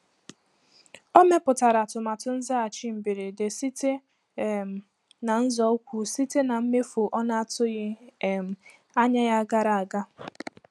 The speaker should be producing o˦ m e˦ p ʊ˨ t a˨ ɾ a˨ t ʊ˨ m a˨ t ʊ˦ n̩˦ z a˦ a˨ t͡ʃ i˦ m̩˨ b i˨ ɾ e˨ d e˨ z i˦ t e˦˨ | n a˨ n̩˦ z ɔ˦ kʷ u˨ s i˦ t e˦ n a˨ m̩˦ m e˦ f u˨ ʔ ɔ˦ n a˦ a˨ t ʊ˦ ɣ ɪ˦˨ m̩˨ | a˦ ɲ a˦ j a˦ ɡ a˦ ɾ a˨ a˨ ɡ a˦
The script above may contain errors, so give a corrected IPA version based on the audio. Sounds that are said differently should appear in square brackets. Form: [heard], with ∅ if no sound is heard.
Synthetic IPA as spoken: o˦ m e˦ p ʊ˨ t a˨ ɾ a˨ t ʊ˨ m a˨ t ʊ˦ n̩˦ z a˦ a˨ t͡ʃ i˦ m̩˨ b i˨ ɾ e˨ d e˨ [s] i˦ t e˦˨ | n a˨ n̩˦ z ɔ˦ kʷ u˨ s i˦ t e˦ n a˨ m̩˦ m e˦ f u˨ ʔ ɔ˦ n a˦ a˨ t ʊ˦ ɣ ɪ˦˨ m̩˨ | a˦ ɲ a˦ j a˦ ɡ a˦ ɾ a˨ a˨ ɡ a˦